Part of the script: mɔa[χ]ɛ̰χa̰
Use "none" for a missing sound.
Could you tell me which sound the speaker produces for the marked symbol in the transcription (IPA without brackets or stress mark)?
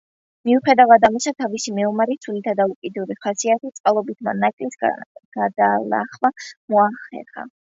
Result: χ